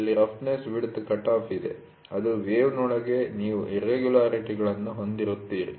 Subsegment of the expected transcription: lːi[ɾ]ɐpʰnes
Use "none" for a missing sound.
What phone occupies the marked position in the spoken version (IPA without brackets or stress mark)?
ɾ